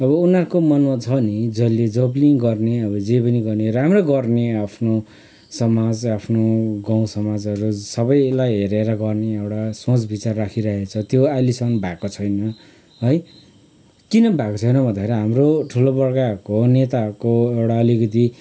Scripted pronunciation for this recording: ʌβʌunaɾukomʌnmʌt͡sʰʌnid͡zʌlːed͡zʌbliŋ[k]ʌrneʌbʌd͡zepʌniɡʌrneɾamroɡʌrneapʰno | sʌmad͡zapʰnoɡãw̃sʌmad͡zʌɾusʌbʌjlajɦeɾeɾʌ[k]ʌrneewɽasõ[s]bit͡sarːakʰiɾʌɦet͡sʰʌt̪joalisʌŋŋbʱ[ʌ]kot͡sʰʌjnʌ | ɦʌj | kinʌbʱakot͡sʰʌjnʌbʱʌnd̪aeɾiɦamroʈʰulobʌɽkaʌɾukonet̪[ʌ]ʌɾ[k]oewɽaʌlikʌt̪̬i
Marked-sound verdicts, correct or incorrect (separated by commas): incorrect, incorrect, incorrect, incorrect, incorrect, correct